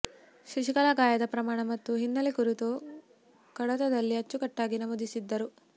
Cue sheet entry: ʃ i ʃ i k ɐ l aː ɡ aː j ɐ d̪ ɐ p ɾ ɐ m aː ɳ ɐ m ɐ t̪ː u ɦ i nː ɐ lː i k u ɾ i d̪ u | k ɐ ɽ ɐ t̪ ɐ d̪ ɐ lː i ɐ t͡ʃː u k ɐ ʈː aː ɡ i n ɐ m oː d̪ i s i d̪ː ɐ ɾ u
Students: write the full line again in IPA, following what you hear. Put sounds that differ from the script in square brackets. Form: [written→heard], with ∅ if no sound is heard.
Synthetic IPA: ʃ i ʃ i k ɐ l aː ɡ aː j ɐ d̪ ɐ p ɾ ɐ m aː ɳ ɐ m ɐ t̪ː u ɦ i nː ɐ [lː→l] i k u ɾ i [d̪→t̪] u | k ɐ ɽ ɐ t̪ ɐ d̪ ɐ lː i ɐ t͡ʃː u k ɐ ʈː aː ɡ i n ɐ m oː d̪ i s i d̪ː ɐ ɾ u

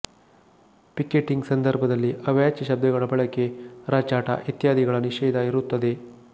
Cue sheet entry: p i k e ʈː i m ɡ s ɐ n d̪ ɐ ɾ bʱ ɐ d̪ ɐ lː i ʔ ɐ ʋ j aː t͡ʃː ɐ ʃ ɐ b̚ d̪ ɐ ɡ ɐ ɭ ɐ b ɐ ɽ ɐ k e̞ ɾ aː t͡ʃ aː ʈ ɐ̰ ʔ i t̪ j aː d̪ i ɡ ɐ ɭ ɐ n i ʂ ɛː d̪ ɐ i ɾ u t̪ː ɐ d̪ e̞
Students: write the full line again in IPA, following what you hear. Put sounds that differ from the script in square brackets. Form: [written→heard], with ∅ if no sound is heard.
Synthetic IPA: p i k e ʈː i [m→ŋ] ɡ s ɐ n d̪ ɐ ɾ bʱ ɐ d̪ ɐ lː i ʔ ɐ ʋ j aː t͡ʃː ɐ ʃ ɐ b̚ d̪ ɐ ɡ ɐ ɭ ɐ b ɐ [ɽ→ɭ] ɐ k e̞ ɾ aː t͡ʃ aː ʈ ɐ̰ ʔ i t̪ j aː d̪ i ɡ ɐ ɭ ɐ n i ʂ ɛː d̪ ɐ i ɾ u t̪ː ɐ d̪ e̞

